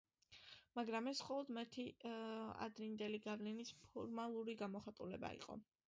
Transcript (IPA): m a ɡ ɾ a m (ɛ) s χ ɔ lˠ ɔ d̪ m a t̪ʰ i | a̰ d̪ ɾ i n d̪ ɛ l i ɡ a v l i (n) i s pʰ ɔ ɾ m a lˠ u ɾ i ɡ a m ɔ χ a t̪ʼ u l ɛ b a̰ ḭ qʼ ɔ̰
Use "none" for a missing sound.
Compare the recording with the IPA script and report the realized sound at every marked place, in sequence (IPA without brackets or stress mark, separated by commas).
ɛ, n